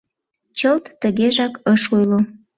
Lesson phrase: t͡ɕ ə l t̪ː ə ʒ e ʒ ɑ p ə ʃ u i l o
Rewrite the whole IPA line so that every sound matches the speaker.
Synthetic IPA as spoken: t͡ɕ ə l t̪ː ə ɣ e ʒ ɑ k ə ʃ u j l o